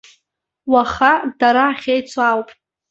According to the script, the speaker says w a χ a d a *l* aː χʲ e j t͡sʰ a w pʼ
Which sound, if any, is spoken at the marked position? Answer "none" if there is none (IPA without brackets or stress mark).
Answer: ɾ